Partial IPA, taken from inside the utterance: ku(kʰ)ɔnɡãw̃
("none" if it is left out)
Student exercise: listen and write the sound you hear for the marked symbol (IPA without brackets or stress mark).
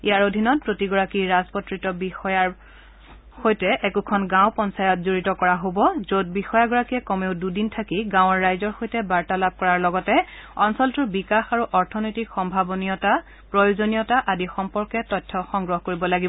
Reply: kʰ